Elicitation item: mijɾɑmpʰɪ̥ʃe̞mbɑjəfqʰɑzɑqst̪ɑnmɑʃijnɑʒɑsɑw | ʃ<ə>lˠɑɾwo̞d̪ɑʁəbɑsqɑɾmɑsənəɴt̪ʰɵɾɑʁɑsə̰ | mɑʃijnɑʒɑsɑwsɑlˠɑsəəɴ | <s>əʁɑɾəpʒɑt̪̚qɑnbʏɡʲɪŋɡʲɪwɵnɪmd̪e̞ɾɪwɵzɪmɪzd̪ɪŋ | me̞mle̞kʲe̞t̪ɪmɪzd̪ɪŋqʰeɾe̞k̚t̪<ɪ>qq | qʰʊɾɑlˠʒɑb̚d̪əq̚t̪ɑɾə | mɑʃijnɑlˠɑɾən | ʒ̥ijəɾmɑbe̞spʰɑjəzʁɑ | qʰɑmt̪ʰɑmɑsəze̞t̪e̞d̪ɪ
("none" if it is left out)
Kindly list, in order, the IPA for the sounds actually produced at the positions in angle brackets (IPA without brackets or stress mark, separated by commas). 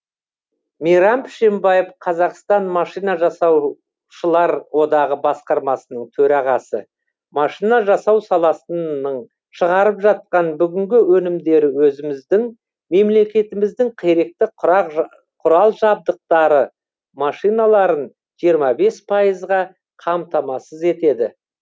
ə, ʃ, ɪ